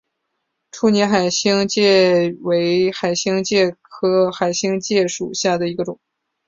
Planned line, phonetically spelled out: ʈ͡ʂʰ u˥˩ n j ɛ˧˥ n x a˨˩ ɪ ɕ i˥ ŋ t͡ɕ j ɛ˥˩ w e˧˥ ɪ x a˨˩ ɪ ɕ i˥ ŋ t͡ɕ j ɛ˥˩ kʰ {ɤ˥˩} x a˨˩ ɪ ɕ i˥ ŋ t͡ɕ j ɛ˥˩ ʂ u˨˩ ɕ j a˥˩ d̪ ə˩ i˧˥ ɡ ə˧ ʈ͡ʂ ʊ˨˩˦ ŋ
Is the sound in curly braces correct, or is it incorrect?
incorrect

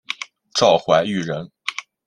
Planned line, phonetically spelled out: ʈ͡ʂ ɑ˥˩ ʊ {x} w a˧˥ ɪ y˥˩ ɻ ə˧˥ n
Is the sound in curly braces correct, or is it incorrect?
correct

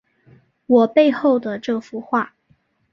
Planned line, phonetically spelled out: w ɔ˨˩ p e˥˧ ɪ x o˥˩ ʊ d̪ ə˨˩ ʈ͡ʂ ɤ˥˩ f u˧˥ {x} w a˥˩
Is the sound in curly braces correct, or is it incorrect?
correct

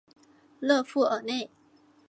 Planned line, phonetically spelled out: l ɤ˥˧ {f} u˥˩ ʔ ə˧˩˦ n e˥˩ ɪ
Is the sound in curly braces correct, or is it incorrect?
correct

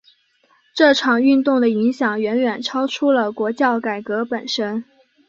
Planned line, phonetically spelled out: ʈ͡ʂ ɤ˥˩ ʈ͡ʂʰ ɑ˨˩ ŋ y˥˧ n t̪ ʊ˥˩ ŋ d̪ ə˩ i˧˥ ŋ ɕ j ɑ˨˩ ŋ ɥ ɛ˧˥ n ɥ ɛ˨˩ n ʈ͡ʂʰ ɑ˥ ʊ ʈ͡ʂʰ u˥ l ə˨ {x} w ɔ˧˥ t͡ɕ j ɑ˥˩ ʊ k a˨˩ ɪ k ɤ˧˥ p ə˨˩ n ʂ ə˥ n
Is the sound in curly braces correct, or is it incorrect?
incorrect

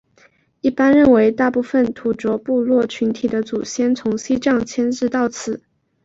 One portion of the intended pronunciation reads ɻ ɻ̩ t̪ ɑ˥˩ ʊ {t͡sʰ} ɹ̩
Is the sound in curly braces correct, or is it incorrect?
correct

